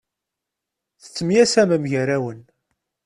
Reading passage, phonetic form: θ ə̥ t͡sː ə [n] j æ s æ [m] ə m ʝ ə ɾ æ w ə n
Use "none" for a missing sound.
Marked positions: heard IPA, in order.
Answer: m, m

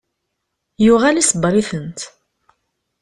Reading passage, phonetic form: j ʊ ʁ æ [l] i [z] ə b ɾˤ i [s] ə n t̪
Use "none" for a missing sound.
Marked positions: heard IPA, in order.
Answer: l, s, θ

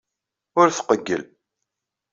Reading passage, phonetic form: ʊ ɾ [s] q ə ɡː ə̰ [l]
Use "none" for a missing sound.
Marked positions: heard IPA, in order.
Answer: θ, l

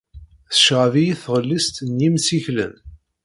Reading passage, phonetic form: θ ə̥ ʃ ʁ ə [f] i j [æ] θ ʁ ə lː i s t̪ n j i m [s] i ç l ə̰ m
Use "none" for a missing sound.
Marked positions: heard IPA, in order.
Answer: v, i, s

